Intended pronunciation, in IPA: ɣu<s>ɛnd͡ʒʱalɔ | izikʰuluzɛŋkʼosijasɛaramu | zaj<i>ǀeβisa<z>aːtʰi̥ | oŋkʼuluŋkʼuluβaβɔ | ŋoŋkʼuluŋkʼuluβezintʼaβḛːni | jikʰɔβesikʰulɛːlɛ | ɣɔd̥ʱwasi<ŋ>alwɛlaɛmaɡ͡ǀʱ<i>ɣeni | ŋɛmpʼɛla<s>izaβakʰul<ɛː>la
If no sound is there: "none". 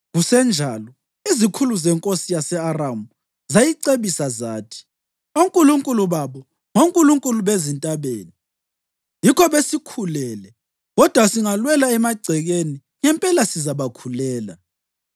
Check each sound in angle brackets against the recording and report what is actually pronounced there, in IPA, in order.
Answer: s, i, z, ŋ, ɛ, s, ɛː

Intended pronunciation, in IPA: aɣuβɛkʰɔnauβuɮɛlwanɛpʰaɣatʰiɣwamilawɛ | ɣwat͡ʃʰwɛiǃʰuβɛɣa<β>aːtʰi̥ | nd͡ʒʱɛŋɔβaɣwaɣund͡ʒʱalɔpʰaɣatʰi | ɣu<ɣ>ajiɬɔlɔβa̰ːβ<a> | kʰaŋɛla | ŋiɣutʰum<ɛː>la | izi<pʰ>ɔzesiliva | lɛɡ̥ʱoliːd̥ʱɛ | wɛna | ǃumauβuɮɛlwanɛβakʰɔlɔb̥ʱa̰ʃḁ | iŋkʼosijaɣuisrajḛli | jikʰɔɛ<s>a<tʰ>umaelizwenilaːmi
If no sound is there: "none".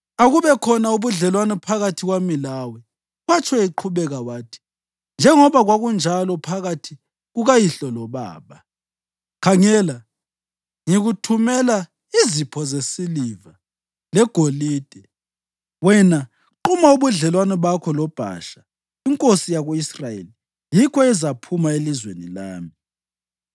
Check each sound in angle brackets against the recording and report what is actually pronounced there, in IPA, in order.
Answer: w, ɣ, a, ɛ, pʰ, z, pʰ

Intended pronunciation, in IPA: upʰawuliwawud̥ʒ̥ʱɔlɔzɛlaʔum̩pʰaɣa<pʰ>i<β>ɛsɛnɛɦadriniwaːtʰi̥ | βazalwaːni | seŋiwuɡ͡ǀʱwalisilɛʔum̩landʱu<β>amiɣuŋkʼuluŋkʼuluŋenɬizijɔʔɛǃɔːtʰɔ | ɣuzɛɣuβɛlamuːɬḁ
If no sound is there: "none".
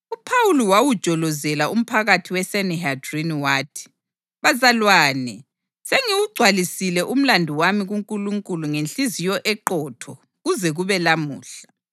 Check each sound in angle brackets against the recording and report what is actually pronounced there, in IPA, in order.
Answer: tʰ, w, w

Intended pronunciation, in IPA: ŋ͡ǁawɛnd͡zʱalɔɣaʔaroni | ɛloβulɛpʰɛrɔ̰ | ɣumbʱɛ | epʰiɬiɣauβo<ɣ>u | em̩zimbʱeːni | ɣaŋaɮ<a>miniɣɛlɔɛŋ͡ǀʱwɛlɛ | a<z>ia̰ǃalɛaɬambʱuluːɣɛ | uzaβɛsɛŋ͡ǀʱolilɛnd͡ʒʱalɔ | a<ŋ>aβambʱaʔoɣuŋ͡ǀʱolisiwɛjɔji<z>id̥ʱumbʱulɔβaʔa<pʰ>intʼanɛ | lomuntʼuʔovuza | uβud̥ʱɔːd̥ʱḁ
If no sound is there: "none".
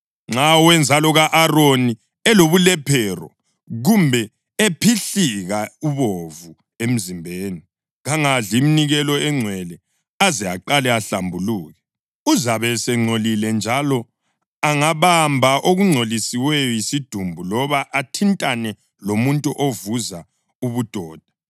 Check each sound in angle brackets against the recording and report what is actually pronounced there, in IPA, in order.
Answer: v, i, z, ŋ, s, tʰ

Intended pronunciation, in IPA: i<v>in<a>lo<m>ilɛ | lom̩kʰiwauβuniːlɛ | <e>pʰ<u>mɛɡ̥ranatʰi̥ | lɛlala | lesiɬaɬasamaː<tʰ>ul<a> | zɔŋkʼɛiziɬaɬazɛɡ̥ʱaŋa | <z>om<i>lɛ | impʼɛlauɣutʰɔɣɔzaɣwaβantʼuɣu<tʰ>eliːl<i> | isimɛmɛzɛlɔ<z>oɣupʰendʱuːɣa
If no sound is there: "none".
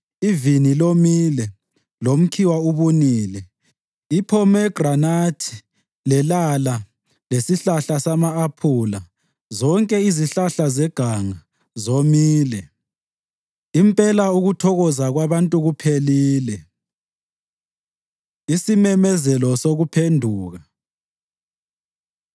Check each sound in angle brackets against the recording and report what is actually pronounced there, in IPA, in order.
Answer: v, i, m, i, ɔ, pʰ, a, z, iː, pʰ, ɛ, s

